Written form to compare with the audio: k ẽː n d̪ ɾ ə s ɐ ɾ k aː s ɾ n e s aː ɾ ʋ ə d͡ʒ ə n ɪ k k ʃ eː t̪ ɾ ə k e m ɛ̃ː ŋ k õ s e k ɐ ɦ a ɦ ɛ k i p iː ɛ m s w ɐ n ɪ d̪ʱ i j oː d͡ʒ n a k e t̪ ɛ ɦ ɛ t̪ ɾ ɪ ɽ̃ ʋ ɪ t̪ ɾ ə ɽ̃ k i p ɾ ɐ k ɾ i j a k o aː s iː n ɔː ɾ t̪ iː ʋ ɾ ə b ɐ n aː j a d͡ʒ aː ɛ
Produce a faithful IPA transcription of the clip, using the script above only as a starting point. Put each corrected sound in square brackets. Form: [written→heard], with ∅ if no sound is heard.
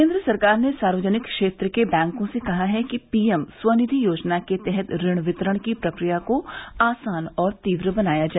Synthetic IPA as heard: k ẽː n d̪ ɾ ə s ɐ ɾ k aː [s→∅] ɾ n e s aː ɾ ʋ ə d͡ʒ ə n ɪ k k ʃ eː t̪ ɾ ə k e [m→b] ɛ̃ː ŋ k õ s e k ɐ ɦ a ɦ ɛ k i p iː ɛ m s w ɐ n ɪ d̪ʱ i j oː d͡ʒ n a k e t̪ ɛ ɦ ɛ t̪ ɾ ɪ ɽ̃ ʋ ɪ t̪ ɾ ə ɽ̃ k i p ɾ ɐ k ɾ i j a k o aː s [iː→aː] n ɔː ɾ t̪ iː ʋ ɾ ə b ɐ n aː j a d͡ʒ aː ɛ